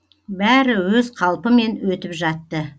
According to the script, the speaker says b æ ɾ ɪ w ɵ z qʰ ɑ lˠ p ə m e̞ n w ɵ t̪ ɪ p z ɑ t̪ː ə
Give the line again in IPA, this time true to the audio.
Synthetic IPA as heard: b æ ɾ ɪ w ɵ z qʰ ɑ lˠ p ə m e̞ n w ɵ t̪ ɪ p ʒ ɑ t̪ː ə